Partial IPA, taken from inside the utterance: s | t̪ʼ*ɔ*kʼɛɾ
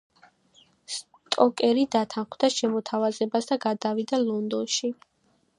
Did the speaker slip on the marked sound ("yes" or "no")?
no